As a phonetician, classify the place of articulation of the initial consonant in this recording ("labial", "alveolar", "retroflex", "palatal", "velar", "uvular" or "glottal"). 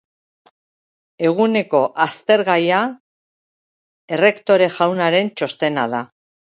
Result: velar